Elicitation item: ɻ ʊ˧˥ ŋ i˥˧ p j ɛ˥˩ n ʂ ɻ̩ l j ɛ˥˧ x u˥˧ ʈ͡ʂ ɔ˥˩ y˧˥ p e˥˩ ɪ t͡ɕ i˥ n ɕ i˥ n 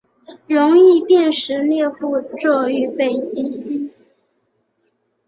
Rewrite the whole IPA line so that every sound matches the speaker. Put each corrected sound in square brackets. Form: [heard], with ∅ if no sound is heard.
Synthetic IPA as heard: ɻ ʊ˧˥ ŋ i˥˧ p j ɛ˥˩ n ʂ ɻ̩ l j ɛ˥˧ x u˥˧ ʈ͡ʂ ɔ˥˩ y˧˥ p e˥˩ ɪ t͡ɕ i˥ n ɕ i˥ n